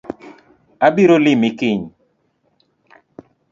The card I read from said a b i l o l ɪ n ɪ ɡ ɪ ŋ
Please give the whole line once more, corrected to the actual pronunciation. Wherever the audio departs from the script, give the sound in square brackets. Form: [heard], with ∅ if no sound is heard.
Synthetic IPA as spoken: a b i [ɾ] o l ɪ [m] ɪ [k] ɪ [ɲ]